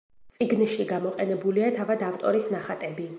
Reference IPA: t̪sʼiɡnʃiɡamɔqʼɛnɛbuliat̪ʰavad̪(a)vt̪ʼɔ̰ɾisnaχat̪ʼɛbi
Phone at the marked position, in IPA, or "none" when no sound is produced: a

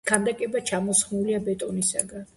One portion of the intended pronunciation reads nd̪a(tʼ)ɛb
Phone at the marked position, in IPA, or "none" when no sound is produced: kʼ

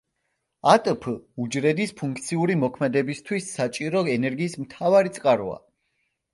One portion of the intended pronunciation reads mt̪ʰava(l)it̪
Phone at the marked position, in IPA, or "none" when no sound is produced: ɾ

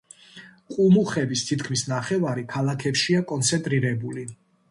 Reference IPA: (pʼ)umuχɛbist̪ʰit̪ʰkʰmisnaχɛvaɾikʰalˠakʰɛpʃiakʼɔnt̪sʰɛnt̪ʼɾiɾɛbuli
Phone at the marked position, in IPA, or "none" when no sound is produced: qʼ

